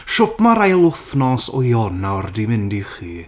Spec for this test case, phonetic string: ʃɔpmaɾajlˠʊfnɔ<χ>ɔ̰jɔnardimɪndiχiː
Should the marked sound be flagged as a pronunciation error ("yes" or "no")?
yes